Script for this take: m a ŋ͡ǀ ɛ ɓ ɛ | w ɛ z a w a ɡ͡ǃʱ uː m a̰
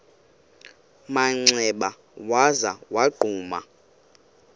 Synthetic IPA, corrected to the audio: m a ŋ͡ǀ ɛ ɓ a | w a z a w a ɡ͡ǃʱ uː m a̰